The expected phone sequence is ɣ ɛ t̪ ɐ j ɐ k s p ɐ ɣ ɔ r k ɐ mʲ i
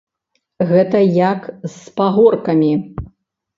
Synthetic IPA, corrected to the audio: ɣ ɛ t̪ ɐ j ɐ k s p a ɣ ɔ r k ɐ mʲ i